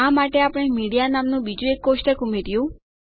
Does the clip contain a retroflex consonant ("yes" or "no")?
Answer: yes